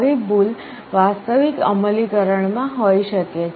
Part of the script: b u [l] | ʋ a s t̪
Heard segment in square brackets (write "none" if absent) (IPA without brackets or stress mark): l